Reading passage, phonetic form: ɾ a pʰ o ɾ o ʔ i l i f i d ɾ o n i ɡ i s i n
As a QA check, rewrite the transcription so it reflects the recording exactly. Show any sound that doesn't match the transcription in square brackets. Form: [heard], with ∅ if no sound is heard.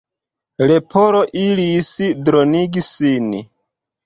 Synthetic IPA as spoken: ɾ [e] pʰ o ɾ o ʔ i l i [s] i d ɾ o n i ɡ i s i n

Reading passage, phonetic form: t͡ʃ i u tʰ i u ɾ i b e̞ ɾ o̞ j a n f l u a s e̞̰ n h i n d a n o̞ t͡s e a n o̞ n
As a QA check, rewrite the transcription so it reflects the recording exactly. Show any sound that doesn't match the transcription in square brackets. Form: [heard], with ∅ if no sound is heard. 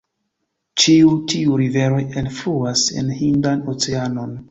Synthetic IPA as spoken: t͡ʃ i u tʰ i u ɾ i [v] e̞ ɾ o̞ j [e] n f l u a s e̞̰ n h i n d a n o̞ t͡s e a n o̞ n

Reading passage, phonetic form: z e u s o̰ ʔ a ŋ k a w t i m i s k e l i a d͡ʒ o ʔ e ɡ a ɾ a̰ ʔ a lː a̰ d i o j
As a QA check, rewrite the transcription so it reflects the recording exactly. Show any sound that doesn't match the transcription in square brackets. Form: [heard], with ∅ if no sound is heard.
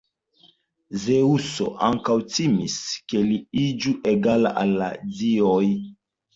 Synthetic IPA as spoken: z e u s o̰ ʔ a ŋ k a w t i m i s k e l i [i] d͡ʒ [u] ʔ e ɡ a [l] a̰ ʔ a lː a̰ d i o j

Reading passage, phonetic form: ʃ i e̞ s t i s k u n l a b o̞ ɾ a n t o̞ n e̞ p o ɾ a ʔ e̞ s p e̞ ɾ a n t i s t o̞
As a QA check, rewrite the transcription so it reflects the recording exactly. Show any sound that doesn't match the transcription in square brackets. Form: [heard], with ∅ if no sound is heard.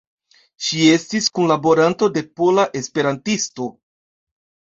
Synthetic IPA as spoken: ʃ i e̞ s t i s k u n l a b o̞ ɾ a n t o̞ [d] e̞ p o [l] a ʔ e̞ s p e̞ ɾ a n t i s t o̞

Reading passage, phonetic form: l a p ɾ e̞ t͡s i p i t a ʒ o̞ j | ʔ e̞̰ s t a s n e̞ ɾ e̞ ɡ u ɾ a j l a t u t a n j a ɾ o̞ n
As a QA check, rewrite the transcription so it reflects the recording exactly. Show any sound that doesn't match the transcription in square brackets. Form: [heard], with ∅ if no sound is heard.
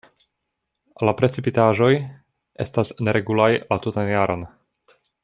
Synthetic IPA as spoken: l a p ɾ e̞ t͡s i p i t a ʒ o̞ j | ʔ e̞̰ s t a s n e̞ ɾ e̞ ɡ u [l] a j l a t u t a n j a ɾ o̞ n

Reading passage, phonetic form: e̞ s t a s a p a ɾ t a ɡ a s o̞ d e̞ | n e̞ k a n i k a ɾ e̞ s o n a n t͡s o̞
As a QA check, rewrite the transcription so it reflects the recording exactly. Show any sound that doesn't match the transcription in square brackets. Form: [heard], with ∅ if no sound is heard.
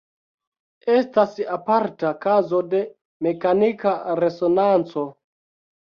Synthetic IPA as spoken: e̞ s t a s a p a ɾ t a [k] a [z] o̞ d e̞ | [m] e̞ k a n i k a ɾ e̞ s o n a n t͡s o̞

